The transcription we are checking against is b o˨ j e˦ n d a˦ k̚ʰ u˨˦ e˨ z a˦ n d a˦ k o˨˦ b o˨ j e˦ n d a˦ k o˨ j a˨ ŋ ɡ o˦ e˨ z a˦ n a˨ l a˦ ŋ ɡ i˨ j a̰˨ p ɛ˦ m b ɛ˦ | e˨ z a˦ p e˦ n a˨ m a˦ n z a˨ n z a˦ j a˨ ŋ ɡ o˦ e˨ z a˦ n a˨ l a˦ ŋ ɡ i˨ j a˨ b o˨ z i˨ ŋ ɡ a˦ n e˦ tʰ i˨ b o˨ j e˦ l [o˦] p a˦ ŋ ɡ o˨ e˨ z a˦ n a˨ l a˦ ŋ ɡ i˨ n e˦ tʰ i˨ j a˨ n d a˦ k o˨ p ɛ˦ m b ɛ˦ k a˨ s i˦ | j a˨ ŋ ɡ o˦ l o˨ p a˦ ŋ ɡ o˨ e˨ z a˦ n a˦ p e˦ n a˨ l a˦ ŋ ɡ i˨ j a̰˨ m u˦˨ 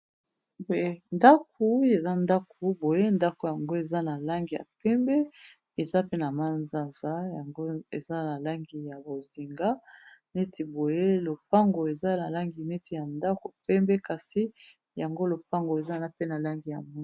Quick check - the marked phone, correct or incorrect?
incorrect